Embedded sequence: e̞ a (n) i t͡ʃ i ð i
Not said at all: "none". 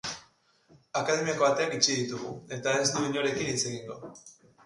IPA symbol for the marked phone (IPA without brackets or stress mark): n